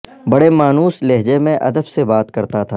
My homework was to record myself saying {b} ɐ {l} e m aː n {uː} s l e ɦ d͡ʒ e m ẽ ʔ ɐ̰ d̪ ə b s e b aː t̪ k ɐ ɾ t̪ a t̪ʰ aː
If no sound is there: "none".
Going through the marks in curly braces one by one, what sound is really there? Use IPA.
b, ɽ, uː

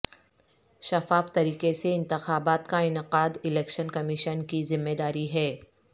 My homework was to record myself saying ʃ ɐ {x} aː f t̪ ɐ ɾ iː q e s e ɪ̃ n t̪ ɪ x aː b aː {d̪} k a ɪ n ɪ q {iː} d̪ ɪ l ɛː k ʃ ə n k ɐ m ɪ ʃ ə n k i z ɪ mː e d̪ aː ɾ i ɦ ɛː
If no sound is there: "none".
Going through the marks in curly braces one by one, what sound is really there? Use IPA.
f, t̪, aː

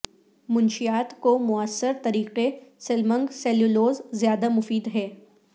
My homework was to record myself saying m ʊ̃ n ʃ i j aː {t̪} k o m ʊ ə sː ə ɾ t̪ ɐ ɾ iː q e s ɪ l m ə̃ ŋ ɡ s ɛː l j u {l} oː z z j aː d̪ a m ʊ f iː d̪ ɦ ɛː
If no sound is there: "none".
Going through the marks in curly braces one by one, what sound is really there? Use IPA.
t̪, l

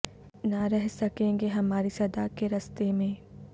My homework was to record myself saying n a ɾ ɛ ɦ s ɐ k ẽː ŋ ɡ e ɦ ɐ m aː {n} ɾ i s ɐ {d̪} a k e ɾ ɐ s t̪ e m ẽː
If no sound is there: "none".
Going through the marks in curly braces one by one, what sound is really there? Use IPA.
none, d̪

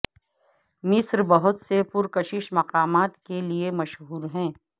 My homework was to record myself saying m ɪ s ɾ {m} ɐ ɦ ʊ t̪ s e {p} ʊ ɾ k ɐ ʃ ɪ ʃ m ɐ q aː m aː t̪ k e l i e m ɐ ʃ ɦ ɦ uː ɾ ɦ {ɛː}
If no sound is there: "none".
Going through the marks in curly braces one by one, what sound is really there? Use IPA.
b, p, ɛ̃ː

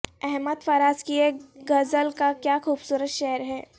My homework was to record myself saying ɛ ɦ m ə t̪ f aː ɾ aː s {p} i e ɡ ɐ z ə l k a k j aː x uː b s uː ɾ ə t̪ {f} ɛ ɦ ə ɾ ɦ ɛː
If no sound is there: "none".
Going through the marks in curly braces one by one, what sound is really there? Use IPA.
k, ʃ

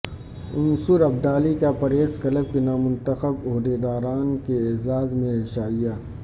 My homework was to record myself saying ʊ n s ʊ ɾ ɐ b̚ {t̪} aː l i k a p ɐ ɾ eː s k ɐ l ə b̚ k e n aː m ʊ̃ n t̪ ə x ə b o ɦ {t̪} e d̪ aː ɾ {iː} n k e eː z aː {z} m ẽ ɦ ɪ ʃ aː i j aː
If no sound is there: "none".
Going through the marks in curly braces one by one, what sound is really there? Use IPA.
d̪, d̪, aː, z

